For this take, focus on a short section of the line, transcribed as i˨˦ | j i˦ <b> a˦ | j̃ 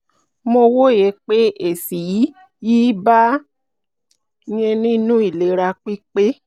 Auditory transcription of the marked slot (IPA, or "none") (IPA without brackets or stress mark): b